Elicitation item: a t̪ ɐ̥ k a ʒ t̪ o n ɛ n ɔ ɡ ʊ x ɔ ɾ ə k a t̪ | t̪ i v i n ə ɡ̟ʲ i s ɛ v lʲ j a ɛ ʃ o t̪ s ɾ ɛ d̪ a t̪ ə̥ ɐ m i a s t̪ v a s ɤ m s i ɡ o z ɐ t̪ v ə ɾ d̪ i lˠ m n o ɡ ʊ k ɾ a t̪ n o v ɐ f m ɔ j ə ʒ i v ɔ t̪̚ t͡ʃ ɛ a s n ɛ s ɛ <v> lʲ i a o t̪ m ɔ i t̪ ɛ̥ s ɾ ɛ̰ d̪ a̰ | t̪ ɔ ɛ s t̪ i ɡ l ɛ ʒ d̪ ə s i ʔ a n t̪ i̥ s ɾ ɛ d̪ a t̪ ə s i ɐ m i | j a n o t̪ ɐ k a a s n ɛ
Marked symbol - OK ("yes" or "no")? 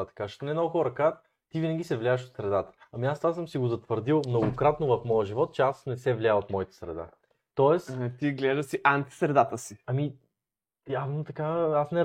yes